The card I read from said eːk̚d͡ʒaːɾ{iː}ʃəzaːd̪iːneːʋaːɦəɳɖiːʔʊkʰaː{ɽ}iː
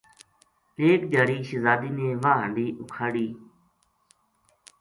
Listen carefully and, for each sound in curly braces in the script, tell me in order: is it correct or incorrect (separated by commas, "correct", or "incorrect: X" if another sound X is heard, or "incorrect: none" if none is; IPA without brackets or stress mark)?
correct, correct